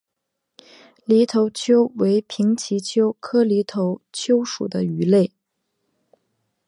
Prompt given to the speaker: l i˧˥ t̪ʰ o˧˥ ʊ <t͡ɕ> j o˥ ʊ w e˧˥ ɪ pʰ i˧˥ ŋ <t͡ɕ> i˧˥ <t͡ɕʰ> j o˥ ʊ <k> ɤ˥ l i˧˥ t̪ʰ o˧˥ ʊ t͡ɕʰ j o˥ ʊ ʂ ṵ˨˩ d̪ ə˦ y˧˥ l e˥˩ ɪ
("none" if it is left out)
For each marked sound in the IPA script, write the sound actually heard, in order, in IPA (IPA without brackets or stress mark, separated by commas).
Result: t͡ɕʰ, t͡ɕʰ, t͡ɕʰ, kʰ